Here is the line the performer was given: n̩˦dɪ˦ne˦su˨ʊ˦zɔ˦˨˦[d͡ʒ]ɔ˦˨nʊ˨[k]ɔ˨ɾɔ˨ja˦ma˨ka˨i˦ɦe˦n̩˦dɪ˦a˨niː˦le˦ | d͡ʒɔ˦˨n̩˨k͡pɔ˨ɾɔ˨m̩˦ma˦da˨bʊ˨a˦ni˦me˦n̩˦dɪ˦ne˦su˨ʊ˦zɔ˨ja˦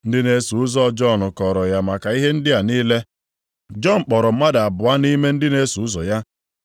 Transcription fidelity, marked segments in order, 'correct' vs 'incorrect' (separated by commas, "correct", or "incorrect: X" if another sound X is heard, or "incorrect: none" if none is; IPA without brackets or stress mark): correct, correct